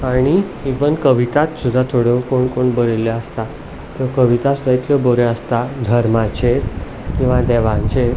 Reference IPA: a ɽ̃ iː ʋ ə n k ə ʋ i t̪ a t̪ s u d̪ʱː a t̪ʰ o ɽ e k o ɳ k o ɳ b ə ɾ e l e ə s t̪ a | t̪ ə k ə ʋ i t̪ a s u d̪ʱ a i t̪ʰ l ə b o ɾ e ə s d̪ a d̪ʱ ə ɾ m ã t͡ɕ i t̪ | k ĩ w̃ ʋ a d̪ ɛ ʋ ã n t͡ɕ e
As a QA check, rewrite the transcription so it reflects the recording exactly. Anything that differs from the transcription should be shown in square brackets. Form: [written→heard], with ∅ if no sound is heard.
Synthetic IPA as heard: a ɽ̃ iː ʋ ə n k ə ʋ i t̪ a t̪ s u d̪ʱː a t̪ʰ o ɽ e k o ɳ k o ɳ b ə ɾ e l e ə s t̪ a | t̪ ə k ə ʋ i t̪ a s u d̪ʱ a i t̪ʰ l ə b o ɾ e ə s [d̪→t̪] a d̪ʱ ə ɾ m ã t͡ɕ [i→e] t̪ | k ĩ w̃ ʋ a d̪ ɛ ʋ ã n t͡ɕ e